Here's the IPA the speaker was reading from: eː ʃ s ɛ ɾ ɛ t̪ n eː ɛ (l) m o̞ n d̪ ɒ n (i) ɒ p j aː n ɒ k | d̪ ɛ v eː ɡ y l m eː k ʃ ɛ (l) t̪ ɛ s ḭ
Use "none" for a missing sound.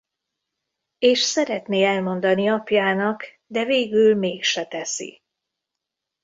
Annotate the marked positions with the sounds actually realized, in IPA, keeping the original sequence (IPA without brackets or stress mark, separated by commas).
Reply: l, i, none